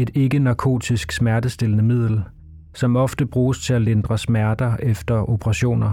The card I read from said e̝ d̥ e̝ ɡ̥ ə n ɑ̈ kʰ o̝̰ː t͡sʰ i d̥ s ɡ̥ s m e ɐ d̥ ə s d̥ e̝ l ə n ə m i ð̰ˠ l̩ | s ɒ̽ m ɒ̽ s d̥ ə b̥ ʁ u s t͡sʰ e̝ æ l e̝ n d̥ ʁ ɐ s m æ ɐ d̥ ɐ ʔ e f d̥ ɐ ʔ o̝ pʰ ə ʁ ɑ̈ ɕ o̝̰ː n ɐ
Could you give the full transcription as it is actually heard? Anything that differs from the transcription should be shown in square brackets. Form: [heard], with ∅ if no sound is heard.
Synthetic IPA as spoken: e̝ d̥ e̝ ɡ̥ ə n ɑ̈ kʰ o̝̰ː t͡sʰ i [∅] s ɡ̥ s m [æ] ɐ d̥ ə s d̥ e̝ l ə n ə m i ð̰ˠ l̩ | s ɒ̽ m ɒ̽ [f] d̥ ə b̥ ʁ [uː] s t͡sʰ e̝ æ l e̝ n d̥ ʁ ɐ s m æ ɐ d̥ ɐ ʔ e f d̥ ɐ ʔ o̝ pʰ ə ʁ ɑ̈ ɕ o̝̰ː n ɐ